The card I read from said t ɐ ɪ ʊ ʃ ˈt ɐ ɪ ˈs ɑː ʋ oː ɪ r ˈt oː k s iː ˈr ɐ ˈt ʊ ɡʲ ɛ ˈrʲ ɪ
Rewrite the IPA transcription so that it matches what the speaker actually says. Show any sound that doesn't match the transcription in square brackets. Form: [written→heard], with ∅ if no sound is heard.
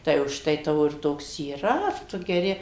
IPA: t ɐ ɪ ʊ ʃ ˈt ɐ ɪ [ˈs→ˈt] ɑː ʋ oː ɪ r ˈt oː k s iː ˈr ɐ ˈt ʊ ɡʲ ɛ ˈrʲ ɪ

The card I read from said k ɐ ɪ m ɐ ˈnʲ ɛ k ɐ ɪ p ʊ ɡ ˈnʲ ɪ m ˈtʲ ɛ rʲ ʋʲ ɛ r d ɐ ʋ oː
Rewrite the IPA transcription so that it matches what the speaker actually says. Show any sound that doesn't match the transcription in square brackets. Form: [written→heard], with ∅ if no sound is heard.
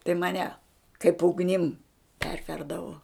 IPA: [k→t] ɐ ɪ m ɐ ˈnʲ ɛ k ɐ ɪ p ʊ ɡ ˈnʲ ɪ m [ˈtʲ→ˈpʲ] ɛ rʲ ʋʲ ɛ r d ɐ ʋ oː

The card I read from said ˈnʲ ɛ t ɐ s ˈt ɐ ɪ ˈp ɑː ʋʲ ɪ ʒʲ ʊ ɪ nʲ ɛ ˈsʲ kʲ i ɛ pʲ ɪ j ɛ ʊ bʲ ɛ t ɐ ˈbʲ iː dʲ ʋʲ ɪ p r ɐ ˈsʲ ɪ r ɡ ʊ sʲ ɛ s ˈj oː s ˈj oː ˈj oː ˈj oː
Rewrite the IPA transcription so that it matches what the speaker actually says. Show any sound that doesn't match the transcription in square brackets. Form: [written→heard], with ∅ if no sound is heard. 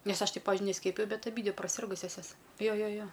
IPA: ˈnʲ ɛ [t→s] ɐ [s→ʃ] ˈt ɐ ɪ ˈp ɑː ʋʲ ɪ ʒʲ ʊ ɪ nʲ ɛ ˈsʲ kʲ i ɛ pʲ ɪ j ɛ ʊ bʲ ɛ t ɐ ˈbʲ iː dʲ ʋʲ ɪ p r ɐ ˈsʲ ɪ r ɡ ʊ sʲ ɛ s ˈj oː s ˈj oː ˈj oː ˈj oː

